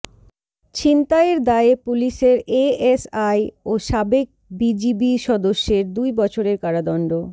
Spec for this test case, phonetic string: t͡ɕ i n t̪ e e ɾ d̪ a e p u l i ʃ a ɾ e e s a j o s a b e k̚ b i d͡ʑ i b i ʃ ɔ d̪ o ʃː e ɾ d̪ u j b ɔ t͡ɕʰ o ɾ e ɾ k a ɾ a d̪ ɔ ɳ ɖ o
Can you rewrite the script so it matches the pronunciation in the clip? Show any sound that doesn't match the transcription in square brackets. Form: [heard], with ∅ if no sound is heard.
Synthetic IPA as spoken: t͡ɕ i n t̪ [a] e ɾ d̪ a e p u l i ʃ [e] ɾ e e s a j o [ʃ] a b e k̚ b i d͡ʑ i b i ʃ ɔ d̪ o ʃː e ɾ d̪ u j b ɔ t͡ɕʰ o ɾ e ɾ k a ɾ a d̪ ɔ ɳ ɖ o